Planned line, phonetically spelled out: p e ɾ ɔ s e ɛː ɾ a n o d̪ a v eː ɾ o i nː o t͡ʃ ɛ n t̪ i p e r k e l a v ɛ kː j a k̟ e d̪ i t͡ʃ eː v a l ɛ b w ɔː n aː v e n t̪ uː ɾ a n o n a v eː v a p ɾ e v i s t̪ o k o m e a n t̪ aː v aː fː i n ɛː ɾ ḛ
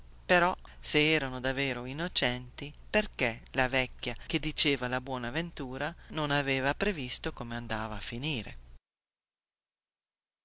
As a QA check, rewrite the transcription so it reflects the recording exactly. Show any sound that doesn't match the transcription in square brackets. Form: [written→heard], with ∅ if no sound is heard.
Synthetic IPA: p e ɾ ɔ s e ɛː ɾ a n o d̪ a v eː ɾ o i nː o t͡ʃ ɛ n t̪ i p e r k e l a v ɛ kː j a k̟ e d̪ i t͡ʃ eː v a l [ɛ→a] b w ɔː n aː v e n t̪ uː ɾ a n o n a v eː v a p ɾ e v i s t̪ o k o m e a n [t̪→d̪] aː v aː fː i n [ɛː→iː] ɾ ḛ